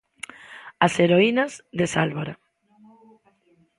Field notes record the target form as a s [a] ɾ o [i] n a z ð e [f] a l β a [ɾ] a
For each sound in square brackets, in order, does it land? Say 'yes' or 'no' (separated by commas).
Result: no, yes, no, yes